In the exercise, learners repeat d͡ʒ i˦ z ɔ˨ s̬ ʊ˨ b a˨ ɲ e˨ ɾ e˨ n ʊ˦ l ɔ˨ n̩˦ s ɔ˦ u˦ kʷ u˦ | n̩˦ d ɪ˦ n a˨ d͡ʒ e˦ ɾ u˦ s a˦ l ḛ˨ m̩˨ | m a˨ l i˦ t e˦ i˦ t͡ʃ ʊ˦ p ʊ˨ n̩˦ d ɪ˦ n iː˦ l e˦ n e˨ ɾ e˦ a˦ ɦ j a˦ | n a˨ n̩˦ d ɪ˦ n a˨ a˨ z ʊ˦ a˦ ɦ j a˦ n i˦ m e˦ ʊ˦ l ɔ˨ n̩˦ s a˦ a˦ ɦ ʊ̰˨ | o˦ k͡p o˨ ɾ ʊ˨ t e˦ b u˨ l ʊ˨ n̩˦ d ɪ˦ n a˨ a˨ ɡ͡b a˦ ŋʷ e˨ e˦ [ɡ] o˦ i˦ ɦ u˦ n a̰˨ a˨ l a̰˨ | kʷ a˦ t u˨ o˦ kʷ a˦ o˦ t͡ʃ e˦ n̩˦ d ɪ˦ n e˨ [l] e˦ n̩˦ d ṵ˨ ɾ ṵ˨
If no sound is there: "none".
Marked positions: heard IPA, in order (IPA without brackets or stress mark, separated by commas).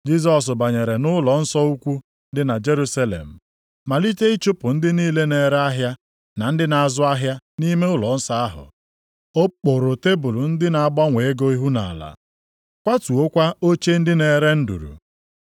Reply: ɡ, ɾ